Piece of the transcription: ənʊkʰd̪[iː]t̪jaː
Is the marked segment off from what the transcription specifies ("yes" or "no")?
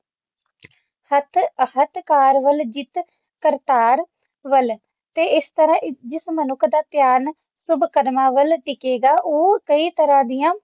yes